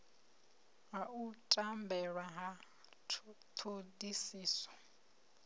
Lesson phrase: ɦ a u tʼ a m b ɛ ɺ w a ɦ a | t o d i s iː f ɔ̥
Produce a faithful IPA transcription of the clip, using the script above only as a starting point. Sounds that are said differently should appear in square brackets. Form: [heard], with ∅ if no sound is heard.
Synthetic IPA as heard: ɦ a u tʼ a m b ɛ ɺ w a ɦ a | [tʰ] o d i s iː [s] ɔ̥